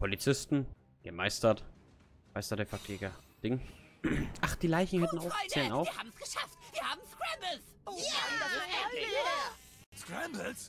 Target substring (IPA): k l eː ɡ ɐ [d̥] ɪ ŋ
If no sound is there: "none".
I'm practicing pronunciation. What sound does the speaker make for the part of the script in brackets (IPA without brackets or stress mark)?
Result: d̥